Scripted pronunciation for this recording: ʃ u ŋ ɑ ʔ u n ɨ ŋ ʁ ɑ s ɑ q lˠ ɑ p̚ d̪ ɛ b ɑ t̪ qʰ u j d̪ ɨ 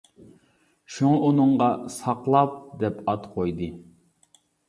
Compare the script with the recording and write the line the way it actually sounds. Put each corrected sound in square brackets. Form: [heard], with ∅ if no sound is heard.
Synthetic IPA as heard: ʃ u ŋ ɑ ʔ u n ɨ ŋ ʁ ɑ s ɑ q lˠ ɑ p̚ d̪ ɛ [p] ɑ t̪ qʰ [o] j d̪ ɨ